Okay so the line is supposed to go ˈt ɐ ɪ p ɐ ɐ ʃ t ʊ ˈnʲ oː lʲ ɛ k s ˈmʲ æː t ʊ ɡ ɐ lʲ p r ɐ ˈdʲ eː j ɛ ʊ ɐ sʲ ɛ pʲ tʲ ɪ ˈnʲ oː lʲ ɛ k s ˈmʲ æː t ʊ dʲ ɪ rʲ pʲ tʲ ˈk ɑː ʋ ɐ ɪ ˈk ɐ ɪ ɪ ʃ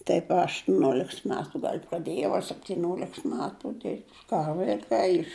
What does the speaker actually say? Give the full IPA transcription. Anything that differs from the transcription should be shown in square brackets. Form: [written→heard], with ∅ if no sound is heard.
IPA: ˈt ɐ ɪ p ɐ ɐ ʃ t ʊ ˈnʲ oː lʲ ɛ k s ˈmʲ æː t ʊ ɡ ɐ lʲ p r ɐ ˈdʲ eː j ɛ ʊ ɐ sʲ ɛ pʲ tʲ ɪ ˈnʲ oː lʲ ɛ k s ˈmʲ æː t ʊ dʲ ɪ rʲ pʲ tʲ ˈk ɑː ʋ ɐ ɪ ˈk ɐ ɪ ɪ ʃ